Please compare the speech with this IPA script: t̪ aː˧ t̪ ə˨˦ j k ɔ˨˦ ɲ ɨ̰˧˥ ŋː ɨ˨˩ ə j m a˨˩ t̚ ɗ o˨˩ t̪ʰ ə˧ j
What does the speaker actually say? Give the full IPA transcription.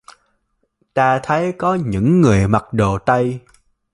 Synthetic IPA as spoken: t̪ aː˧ t̪ʰ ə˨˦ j k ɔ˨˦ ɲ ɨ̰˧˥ ŋː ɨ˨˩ ə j m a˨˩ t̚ ɗ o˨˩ t̪ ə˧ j